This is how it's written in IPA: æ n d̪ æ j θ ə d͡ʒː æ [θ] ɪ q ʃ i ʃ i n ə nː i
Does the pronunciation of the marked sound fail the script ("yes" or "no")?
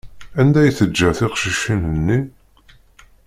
no